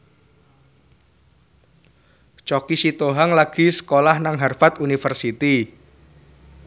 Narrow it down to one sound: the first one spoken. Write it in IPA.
t͡ʃ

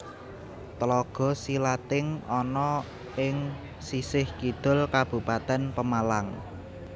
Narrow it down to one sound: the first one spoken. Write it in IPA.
t̪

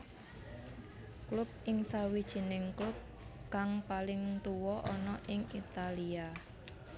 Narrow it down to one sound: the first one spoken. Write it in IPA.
k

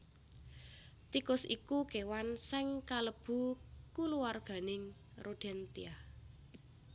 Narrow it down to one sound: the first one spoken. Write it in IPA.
t̪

